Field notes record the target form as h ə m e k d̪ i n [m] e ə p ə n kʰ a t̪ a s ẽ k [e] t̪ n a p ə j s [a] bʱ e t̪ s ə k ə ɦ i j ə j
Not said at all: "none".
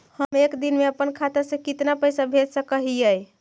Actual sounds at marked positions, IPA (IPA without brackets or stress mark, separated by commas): m, i, a